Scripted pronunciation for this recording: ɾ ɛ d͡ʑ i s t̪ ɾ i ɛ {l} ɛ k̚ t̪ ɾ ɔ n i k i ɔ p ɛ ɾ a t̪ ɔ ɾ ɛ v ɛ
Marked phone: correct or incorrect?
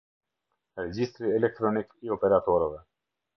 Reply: correct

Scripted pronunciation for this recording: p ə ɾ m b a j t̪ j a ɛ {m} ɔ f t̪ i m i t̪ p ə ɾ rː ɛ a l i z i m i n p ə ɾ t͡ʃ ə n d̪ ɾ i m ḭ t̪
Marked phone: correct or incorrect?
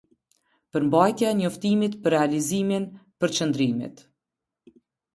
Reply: incorrect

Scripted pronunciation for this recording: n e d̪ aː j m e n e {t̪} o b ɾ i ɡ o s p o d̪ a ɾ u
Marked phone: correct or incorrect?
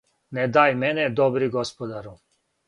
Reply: incorrect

